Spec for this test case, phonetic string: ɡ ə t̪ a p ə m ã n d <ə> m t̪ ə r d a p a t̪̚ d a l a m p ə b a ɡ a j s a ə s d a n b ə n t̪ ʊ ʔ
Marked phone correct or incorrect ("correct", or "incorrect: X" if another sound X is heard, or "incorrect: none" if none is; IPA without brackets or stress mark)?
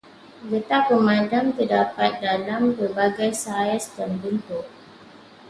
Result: incorrect: a